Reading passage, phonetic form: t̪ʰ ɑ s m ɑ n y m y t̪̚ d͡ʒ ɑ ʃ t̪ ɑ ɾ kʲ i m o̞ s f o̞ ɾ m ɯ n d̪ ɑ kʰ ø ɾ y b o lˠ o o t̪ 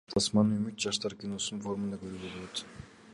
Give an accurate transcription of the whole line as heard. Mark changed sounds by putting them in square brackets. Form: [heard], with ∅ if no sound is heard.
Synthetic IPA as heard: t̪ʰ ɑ s m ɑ n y m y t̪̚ d͡ʒ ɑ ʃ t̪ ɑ ɾ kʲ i [n] o̞ s f o̞ ɾ m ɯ n d̪ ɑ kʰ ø ɾ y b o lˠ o o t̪